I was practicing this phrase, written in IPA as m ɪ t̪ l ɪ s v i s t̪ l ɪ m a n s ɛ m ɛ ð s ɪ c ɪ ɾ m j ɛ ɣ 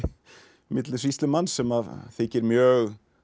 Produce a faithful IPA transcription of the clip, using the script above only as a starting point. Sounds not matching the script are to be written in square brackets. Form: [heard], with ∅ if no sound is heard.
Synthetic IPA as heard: m ɪ t̪ l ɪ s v i s t̪ l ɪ m a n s ɛ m [a] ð [θ] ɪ c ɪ ɾ m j [œ] ɣ